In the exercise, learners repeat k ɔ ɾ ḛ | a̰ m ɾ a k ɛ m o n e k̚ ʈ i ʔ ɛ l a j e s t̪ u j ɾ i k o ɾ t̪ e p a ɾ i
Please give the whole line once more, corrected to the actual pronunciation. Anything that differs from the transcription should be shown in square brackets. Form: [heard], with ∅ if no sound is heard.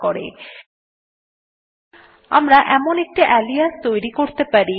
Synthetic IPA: k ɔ ɾ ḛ | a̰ m ɾ a [ʔ] ɛ m o n e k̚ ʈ i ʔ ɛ l [i] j [a] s t̪ [o] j ɾ i k o ɾ t̪ e p a ɾ i